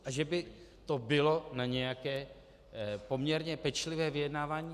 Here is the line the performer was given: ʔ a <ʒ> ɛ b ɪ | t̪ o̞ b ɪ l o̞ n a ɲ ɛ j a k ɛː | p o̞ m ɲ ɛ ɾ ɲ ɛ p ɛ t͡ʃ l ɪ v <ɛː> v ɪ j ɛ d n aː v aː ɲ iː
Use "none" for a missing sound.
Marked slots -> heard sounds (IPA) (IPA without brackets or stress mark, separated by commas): ʒ, ɛː